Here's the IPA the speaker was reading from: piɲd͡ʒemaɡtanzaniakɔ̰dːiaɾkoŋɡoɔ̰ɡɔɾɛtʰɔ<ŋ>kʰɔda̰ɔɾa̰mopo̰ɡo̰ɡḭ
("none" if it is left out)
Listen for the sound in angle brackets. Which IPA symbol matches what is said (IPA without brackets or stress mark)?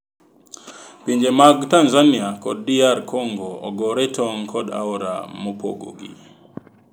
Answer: ŋ